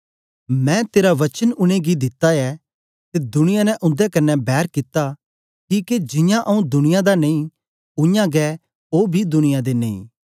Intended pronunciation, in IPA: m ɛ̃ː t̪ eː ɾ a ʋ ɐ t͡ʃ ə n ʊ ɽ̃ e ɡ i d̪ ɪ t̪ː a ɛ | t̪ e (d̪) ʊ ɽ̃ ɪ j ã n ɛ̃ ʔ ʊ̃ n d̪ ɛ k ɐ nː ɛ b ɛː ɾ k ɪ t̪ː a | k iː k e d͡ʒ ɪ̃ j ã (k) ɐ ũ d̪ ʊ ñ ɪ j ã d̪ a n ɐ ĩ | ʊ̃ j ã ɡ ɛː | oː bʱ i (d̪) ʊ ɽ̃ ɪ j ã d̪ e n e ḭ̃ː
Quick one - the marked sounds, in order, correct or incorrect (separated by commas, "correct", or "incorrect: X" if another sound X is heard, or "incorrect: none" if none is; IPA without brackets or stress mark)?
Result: correct, incorrect: ʔ, correct